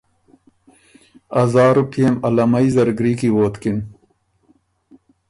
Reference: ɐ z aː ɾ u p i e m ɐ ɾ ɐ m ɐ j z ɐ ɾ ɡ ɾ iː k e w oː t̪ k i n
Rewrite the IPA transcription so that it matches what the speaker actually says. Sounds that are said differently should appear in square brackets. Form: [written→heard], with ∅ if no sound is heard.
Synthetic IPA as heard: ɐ z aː ɾ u p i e m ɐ [ɾ→l] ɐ m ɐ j z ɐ ɾ ɡ ɾ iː k [e→i] w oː t̪ k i n